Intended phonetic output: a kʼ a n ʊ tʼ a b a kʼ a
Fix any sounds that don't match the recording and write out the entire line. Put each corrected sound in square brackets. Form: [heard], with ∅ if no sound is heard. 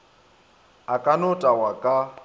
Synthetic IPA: a kʼ a n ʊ tʼ a [w] a kʼ a